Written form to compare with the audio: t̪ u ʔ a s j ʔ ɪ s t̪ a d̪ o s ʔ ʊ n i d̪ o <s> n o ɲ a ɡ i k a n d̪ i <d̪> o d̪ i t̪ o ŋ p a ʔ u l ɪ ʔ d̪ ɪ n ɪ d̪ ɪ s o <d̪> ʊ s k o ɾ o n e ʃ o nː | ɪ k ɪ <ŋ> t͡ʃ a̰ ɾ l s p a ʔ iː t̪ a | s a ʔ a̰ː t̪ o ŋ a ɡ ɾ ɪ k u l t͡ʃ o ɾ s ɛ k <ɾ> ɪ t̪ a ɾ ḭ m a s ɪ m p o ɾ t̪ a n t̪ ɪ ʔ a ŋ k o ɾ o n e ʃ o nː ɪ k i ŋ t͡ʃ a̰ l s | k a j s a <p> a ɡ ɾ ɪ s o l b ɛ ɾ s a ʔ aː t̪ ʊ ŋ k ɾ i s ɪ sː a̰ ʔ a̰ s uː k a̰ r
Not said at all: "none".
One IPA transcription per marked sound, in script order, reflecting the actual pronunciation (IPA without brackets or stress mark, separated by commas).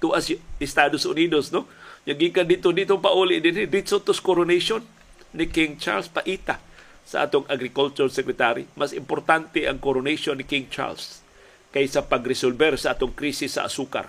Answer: s, t̪, t̪, ŋ, ɾ, p